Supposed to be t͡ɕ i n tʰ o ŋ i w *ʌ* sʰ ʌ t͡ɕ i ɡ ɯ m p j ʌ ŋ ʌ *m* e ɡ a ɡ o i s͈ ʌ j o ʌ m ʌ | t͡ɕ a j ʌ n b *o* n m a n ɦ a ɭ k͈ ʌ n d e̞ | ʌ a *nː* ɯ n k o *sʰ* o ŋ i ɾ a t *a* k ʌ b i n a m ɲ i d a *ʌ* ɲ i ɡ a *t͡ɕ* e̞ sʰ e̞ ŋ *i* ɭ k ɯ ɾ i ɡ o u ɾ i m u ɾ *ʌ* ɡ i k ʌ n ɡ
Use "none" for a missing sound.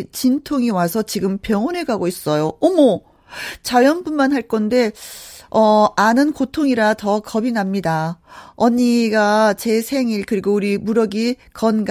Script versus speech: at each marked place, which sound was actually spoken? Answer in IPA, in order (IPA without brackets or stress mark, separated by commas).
a, n, u, n, tʰ, ʌ, ʌ, t͡ɕ, i, ʌ